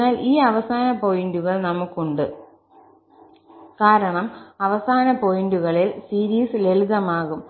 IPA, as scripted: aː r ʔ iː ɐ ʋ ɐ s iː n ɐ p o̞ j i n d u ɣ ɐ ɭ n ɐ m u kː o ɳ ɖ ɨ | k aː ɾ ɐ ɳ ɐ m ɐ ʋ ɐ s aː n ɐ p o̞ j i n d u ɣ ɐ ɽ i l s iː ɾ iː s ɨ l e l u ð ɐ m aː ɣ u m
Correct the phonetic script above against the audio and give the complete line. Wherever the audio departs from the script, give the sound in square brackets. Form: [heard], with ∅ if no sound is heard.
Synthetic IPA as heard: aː [l] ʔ iː ɐ ʋ ɐ s [aː] n ɐ p o̞ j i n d u ɣ ɐ ɭ n ɐ m u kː [u] ɳ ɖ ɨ | k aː ɾ ɐ ɳ ɐ m ɐ ʋ ɐ s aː n ɐ p o̞ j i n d u ɣ ɐ [ɭ] i l s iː ɾ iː s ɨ l e l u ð ɐ m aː ɣ u m